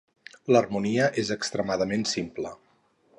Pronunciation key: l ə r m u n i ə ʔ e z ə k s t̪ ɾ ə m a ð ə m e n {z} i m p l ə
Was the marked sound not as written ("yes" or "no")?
yes